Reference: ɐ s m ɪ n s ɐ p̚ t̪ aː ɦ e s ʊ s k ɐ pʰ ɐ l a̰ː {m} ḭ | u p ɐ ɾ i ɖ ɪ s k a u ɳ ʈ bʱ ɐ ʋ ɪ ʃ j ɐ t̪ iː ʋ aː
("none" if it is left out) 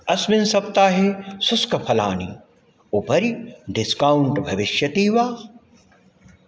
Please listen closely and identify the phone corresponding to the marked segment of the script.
n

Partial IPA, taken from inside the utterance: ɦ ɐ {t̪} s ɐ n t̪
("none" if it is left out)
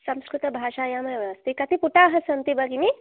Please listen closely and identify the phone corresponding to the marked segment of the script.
none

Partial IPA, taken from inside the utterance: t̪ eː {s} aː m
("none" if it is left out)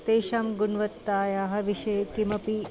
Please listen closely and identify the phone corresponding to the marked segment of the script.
ʃ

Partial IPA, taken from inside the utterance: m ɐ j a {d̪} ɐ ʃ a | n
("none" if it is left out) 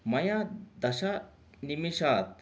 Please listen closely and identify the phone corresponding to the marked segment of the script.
d̪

